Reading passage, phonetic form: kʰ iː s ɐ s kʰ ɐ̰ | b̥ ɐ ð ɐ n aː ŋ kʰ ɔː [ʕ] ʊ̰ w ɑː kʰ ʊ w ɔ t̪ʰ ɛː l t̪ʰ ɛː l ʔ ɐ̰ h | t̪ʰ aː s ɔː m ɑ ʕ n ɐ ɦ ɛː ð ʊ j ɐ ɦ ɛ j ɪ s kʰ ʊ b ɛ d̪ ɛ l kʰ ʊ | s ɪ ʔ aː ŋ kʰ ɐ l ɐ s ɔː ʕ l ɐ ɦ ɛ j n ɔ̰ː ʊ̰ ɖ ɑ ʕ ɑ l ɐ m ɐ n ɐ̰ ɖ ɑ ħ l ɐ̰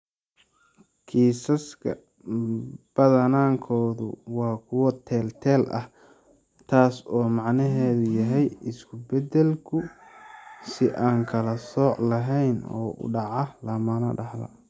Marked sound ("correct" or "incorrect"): incorrect